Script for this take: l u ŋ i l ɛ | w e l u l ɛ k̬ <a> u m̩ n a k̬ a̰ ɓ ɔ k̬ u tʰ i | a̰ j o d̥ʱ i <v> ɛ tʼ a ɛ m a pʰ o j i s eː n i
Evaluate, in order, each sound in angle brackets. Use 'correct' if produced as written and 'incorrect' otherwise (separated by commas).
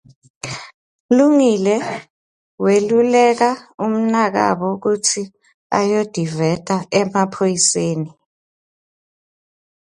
correct, correct